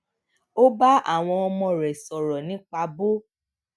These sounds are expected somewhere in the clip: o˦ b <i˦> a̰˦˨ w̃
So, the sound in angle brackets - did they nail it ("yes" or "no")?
no